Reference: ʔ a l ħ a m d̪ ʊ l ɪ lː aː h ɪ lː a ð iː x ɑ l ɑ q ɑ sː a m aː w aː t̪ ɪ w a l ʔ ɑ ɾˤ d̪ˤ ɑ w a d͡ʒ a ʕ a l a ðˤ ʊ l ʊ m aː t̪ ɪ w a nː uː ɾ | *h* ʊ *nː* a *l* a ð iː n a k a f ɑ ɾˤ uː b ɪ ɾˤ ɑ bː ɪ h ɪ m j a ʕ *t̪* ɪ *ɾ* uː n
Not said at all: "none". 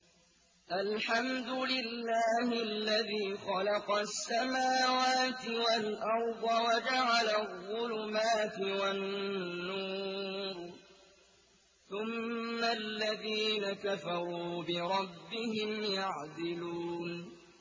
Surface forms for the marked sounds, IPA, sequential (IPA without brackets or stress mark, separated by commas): θ, mː, lː, d̪, l